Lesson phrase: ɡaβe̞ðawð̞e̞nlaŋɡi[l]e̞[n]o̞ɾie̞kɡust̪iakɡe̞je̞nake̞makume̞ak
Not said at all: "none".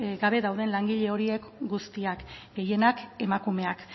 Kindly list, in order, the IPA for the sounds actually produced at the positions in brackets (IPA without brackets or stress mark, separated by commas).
ʎ, none